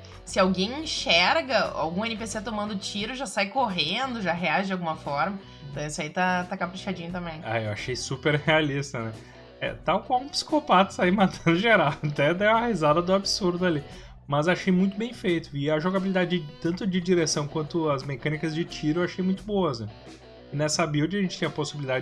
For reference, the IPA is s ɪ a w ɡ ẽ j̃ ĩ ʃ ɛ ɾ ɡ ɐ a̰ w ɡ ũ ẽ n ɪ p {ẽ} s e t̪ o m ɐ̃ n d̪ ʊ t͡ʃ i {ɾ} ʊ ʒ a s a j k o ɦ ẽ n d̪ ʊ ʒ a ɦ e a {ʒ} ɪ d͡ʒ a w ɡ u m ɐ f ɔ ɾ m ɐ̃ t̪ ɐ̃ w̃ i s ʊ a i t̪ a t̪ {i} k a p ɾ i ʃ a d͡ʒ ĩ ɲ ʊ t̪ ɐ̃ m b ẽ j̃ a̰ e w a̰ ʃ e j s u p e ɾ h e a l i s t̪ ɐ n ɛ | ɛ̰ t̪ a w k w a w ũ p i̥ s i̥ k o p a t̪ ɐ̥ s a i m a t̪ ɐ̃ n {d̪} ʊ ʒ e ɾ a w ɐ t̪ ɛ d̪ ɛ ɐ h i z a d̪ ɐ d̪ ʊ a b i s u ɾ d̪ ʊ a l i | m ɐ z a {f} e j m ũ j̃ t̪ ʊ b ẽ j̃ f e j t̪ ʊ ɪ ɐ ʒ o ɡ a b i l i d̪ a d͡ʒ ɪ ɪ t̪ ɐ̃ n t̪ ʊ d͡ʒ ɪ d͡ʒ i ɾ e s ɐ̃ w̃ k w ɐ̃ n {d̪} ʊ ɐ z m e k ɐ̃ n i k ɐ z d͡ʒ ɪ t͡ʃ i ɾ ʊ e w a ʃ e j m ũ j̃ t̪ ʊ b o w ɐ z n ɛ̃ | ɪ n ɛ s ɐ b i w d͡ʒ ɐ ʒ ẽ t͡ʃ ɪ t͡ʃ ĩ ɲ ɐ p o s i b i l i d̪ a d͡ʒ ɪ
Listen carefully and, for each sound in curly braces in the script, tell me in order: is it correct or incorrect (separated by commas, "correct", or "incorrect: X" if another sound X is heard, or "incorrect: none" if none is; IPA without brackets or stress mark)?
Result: incorrect: e, correct, correct, incorrect: a, correct, incorrect: ʃ, incorrect: t̪